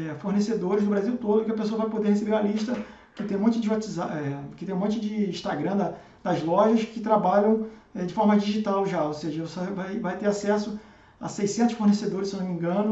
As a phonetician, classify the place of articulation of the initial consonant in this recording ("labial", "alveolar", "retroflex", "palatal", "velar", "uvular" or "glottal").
labial